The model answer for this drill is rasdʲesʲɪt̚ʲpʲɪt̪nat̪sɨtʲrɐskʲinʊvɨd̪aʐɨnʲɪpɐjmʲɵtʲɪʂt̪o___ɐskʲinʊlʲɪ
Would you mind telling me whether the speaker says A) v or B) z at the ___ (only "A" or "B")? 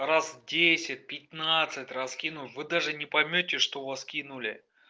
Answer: A